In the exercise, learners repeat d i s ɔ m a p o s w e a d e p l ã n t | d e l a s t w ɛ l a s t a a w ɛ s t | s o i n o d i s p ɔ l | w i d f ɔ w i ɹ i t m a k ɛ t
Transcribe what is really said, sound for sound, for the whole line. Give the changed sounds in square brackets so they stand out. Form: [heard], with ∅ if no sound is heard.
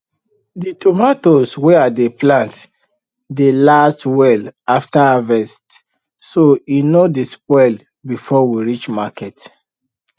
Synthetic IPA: d i [t] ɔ m a [t] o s w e a d e p l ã n t | d e l a s t w ɛ l a [f] t a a [v] ɛ s t | s o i n o d i s p ɔ l | [b] i [∅] f ɔ w i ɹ i [t͡ʃ] m a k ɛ t